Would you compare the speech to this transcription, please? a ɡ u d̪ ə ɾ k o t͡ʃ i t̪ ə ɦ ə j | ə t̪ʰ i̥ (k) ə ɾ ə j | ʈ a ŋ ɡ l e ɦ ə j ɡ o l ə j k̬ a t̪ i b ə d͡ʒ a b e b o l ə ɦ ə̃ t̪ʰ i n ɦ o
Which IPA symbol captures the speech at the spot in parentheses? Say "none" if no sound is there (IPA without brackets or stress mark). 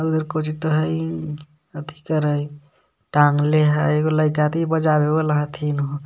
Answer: k